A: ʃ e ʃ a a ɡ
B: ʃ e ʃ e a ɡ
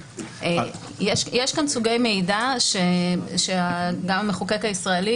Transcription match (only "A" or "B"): B